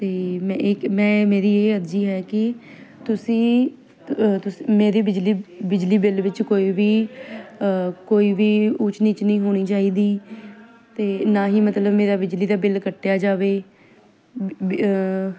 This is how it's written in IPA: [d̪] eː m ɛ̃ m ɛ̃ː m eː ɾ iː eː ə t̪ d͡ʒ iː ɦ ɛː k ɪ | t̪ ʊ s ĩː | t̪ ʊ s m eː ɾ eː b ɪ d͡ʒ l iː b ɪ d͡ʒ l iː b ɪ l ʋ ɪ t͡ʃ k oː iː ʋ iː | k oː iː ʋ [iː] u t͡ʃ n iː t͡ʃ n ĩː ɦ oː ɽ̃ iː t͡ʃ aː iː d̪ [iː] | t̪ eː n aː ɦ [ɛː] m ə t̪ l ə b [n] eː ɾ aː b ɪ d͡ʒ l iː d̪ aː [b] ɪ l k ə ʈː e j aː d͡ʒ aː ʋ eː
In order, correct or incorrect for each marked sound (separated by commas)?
incorrect, correct, correct, incorrect, incorrect, correct